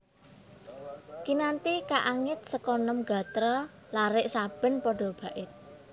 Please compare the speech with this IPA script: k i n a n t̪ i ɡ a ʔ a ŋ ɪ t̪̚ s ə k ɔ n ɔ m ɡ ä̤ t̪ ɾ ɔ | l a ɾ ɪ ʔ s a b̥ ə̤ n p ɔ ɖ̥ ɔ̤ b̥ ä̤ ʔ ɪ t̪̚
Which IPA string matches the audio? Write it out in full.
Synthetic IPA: k i n a n t̪ i k a ʔ a ŋ ɪ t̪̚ s ə k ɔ n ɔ m ɡ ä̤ t̪ ɾ ɔ | l a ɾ ɪ ʔ s a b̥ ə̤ n p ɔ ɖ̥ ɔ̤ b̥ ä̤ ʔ ɪ t̪̚